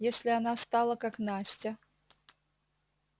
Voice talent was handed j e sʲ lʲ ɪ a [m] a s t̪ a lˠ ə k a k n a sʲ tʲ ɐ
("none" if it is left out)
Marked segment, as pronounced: n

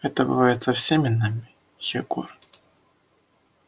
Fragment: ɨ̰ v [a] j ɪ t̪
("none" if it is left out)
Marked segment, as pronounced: a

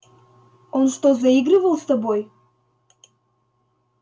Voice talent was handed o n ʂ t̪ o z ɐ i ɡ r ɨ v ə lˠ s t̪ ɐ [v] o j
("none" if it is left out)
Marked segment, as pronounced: b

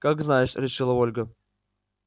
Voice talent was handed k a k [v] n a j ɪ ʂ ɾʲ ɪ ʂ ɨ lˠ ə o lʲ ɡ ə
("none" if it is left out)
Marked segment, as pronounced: z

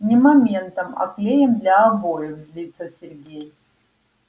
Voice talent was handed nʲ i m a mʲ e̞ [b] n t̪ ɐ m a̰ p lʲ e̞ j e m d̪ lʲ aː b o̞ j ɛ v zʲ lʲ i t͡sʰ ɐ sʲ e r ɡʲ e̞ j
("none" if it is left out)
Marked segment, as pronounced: none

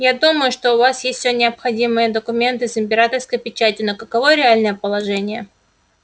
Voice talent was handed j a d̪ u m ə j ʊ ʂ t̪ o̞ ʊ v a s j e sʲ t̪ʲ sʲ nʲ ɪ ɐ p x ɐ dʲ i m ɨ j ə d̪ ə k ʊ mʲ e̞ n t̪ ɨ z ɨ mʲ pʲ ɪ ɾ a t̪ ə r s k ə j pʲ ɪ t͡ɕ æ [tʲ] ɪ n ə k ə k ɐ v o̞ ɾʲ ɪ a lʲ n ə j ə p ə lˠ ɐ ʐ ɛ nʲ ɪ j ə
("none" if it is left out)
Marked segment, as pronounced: tʲ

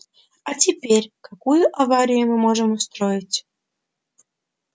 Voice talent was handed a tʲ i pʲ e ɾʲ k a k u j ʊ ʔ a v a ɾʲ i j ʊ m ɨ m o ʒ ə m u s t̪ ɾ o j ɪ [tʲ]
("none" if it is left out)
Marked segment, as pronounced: tʲ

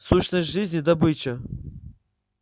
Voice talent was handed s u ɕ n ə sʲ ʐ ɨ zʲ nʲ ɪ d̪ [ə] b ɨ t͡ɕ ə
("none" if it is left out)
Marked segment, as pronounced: ɐ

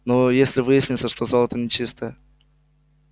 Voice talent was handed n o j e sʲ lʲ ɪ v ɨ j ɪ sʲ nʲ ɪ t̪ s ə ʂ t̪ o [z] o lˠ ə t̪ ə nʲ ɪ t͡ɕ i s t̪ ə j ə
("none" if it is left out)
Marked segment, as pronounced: z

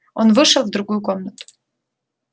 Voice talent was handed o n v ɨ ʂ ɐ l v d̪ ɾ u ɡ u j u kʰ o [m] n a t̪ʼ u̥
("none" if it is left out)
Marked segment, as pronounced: m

